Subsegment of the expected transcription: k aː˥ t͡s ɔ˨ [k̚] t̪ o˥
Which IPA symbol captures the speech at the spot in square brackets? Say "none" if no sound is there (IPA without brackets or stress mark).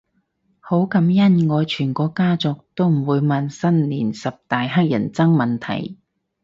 k̚